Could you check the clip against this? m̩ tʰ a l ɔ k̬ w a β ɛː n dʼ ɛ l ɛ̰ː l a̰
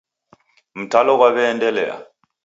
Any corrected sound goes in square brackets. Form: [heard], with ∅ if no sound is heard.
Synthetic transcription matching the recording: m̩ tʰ a l ɔ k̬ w a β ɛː n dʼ ɛ l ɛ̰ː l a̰